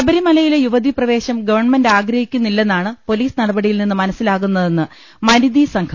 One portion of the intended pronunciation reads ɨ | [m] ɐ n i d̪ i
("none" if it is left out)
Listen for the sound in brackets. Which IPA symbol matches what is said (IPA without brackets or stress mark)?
m